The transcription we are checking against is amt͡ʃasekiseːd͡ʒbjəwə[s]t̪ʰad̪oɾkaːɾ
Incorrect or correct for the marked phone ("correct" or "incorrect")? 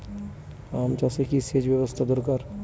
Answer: correct